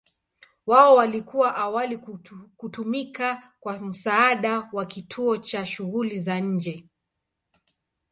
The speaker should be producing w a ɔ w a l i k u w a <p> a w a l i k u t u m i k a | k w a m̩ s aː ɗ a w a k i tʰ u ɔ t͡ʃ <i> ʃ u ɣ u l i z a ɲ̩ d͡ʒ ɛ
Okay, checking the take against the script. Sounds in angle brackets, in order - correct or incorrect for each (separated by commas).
incorrect, incorrect